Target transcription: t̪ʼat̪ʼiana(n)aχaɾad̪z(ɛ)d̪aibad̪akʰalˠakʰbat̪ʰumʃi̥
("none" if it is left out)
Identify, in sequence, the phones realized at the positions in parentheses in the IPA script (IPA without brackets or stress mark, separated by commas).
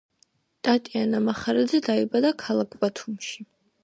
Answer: m, ɛ